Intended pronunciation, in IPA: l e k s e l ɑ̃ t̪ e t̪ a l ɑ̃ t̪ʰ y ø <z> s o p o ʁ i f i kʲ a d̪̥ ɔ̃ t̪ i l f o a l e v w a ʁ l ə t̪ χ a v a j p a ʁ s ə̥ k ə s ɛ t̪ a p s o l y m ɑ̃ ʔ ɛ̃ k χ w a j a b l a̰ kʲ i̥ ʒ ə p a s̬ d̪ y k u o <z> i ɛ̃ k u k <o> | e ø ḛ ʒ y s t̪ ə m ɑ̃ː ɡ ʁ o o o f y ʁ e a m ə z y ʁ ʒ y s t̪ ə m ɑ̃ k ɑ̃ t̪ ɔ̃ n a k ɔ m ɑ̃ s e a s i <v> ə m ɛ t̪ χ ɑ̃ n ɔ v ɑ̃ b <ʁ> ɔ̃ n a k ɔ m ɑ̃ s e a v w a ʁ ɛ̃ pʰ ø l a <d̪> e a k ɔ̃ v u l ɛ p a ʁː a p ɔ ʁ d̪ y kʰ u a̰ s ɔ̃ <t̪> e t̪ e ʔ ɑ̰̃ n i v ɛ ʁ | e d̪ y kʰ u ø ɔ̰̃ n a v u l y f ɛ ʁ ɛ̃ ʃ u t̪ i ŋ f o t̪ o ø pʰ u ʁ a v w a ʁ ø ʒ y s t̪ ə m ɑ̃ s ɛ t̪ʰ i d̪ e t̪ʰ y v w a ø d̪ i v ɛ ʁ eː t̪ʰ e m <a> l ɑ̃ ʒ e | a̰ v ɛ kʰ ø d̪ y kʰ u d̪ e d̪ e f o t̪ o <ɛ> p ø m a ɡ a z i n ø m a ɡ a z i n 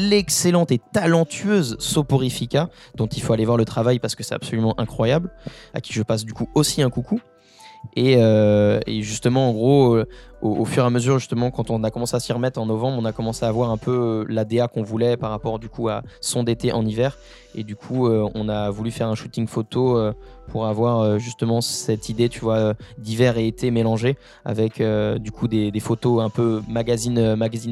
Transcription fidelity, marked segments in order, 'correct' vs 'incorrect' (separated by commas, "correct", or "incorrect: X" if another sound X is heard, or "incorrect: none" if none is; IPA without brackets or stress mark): correct, incorrect: s, incorrect: u, incorrect: ʁ, correct, correct, incorrect: d̪, incorrect: e, incorrect: ɛ̃